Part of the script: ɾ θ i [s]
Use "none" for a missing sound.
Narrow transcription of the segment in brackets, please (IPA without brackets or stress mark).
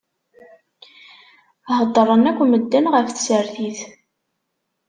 θ